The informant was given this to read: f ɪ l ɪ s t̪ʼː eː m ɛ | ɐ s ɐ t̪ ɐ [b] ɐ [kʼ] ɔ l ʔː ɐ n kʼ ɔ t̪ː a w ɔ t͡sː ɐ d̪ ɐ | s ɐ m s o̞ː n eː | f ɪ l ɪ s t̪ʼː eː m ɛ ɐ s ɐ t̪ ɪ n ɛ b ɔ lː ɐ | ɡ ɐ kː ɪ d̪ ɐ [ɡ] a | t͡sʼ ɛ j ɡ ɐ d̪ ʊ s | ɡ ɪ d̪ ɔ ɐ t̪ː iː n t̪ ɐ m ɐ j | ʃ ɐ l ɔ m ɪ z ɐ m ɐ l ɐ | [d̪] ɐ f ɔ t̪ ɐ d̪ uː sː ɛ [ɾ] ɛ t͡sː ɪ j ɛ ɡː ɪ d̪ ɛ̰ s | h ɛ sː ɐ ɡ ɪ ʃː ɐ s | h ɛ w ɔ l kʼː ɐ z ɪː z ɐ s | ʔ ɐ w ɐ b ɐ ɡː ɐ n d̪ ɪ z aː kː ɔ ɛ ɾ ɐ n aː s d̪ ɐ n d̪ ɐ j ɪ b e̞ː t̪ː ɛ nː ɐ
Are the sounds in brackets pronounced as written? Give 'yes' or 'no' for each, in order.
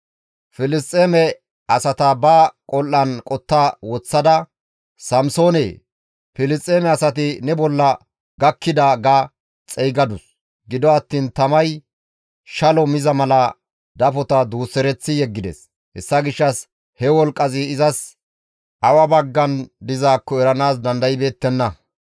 yes, yes, yes, yes, yes

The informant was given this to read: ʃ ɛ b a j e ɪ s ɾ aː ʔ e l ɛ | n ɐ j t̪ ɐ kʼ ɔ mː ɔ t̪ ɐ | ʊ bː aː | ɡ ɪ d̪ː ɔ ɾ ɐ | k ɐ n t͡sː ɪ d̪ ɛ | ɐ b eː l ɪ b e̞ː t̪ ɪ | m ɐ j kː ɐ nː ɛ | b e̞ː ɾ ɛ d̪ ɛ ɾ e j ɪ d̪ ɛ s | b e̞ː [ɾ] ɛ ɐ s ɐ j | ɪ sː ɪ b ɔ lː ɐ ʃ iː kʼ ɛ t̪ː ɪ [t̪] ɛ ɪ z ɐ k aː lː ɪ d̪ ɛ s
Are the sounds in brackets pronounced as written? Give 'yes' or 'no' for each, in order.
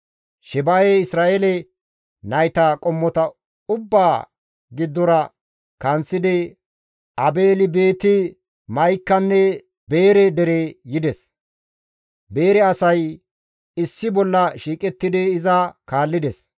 yes, no

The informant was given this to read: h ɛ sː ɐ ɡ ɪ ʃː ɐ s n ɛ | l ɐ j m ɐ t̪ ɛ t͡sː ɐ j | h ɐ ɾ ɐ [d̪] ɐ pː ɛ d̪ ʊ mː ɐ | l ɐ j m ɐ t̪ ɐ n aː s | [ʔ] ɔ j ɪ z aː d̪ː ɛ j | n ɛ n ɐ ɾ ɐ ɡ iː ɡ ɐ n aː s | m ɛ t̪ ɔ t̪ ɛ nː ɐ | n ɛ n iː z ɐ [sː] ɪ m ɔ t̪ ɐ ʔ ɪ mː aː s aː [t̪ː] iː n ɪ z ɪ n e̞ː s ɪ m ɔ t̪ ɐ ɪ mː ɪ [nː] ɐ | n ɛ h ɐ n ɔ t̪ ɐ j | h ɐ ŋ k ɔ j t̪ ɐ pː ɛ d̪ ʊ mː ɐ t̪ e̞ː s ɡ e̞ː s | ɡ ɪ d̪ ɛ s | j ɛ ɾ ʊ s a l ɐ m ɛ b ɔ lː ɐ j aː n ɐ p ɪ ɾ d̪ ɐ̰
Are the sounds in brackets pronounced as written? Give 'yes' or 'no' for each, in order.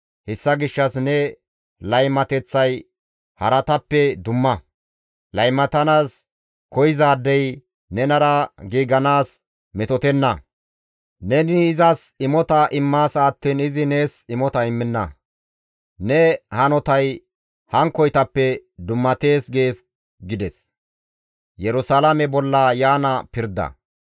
no, no, no, yes, yes

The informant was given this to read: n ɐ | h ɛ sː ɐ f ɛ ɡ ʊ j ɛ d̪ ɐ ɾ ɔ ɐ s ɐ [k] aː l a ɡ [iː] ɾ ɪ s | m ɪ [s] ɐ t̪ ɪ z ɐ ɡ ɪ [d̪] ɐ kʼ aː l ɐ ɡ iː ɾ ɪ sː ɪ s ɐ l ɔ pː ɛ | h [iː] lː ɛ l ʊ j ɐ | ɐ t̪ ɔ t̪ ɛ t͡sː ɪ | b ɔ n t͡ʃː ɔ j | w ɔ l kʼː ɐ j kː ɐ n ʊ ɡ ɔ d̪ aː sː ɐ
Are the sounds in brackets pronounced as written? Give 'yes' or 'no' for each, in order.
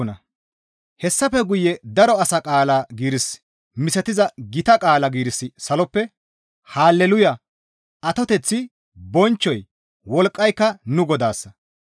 no, yes, yes, no, no

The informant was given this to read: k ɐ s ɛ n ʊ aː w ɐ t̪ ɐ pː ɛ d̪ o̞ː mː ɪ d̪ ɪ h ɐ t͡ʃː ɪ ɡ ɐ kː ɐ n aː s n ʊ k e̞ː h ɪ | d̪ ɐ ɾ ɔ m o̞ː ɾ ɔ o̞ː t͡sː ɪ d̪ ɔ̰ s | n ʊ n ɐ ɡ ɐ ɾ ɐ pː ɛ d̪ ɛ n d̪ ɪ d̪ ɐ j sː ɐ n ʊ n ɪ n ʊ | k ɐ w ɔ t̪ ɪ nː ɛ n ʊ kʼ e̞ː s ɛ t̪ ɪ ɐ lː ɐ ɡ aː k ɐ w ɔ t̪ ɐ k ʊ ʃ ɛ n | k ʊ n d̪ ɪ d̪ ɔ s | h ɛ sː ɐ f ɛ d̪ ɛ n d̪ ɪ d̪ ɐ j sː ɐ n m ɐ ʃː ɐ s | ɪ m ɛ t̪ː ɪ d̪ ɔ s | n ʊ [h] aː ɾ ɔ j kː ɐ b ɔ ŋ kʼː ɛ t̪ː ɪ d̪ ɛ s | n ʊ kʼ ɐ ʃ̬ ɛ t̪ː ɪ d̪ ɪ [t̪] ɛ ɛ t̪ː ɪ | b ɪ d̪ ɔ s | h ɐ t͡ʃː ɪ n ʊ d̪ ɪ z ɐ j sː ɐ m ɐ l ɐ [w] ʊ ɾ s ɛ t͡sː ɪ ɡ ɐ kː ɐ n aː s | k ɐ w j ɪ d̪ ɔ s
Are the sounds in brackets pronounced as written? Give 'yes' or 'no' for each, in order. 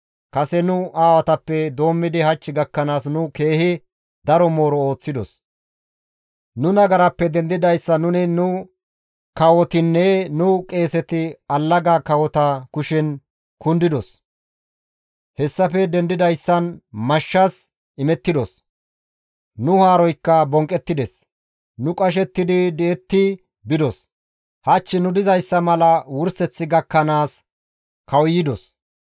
yes, no, yes

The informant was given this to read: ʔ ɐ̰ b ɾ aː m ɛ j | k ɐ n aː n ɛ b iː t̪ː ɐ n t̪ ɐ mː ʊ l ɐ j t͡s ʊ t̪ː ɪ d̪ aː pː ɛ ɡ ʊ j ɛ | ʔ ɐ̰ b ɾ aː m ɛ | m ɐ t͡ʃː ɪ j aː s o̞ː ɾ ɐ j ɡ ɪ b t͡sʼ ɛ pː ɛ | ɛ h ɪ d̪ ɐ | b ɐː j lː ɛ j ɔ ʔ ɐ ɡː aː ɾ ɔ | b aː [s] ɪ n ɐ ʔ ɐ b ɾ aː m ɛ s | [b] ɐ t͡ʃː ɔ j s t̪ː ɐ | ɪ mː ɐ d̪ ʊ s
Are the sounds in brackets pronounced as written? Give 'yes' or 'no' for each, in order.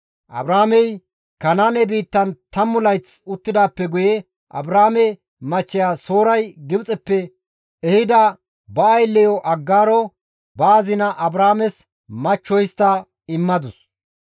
no, no

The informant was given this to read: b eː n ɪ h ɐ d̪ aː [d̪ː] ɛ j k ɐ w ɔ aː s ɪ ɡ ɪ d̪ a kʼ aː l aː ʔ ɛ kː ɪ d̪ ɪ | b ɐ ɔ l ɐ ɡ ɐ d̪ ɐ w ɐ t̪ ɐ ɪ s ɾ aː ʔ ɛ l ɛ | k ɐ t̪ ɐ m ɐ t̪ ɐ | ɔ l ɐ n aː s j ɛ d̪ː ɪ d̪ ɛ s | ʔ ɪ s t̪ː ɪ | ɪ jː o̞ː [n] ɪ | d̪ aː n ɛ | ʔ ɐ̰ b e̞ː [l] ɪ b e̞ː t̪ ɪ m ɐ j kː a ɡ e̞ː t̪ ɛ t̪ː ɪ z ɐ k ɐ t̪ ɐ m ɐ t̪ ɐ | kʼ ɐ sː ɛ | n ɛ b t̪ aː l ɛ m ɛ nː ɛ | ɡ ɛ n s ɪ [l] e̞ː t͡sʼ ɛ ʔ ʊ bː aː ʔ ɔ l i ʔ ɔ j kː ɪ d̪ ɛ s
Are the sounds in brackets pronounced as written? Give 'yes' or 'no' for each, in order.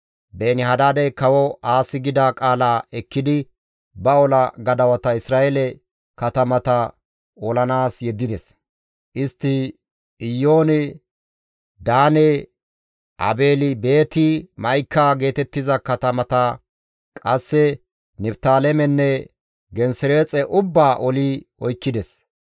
no, yes, yes, no

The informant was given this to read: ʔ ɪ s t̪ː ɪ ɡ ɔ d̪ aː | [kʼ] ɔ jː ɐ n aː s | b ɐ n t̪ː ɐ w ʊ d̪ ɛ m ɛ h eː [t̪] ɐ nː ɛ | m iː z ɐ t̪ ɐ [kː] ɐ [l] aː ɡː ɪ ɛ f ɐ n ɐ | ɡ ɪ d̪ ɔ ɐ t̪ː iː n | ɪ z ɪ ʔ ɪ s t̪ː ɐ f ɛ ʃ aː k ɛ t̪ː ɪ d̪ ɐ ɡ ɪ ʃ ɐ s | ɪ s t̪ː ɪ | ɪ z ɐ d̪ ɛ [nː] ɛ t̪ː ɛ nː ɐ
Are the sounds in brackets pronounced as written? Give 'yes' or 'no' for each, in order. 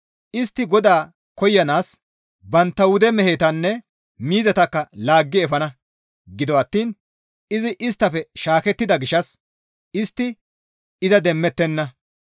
no, yes, yes, yes, no

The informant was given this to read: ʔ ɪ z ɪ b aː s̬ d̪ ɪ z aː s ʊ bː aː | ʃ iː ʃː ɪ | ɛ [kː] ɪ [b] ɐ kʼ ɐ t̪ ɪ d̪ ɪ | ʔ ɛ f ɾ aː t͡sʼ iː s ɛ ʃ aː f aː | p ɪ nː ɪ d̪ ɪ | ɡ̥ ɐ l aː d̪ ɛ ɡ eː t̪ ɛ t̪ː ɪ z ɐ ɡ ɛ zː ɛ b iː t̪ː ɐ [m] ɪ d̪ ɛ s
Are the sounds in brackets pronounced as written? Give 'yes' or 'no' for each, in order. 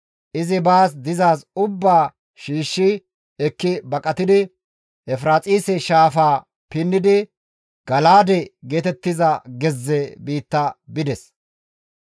yes, yes, no

